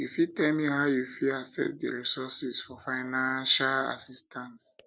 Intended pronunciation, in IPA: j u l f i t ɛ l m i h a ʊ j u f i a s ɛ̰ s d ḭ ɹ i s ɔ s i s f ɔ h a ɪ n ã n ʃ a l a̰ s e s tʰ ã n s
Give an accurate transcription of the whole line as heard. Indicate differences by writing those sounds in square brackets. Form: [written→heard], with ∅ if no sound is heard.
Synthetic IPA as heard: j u [l→∅] f i t ɛ l m i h a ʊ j u f i a s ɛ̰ s d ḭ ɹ i s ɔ s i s f ɔ [h→f] a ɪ n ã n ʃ a l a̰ s [e→i] s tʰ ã n s